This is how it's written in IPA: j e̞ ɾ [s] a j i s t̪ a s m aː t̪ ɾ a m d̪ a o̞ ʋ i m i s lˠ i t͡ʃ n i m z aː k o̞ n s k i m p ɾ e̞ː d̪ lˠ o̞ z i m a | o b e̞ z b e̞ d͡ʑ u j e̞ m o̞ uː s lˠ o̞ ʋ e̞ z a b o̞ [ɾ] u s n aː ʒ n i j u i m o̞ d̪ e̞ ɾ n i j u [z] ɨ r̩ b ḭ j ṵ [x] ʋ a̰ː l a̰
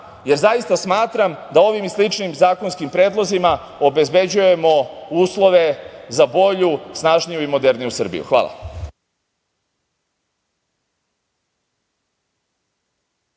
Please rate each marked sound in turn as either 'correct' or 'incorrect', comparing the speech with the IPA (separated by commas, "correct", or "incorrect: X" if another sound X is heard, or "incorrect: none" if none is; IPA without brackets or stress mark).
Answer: incorrect: z, incorrect: ʎ, incorrect: s, correct